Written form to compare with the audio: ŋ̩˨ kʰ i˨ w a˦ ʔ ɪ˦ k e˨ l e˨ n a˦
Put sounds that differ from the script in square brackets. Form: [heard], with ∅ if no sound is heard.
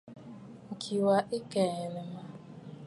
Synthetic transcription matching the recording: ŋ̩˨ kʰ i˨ w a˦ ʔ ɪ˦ k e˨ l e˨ [m] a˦